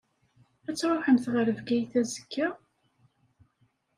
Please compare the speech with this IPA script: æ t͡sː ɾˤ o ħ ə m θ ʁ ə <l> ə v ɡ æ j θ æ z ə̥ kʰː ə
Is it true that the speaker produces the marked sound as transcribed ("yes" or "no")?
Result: no